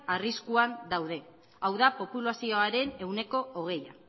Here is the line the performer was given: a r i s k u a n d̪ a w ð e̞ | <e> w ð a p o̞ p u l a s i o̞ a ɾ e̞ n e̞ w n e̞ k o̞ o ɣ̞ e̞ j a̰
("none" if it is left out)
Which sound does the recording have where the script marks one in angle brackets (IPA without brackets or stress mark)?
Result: a